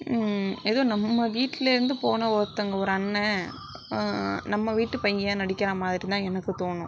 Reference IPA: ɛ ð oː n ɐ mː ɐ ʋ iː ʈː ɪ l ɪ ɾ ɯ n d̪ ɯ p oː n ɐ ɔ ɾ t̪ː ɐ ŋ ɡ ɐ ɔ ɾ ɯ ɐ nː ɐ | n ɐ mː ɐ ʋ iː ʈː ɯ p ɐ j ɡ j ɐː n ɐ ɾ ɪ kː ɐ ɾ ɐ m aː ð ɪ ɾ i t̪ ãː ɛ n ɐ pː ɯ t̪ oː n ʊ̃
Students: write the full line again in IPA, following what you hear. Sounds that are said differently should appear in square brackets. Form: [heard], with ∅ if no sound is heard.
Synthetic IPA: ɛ ð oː n ɐ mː ɐ ʋ iː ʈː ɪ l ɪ ɾ ɯ n d̪ ɯ p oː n ɐ ɔ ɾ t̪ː ɐ ŋ ɡ ɐ ɔ ɾ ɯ ɐ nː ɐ | n ɐ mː ɐ ʋ iː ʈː ɯ p ɐ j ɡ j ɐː n ɐ [ɽ] ɪ kː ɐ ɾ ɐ m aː ð ɪ ɾ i t̪ ãː ɛ n ɐ [kː] ɯ t̪ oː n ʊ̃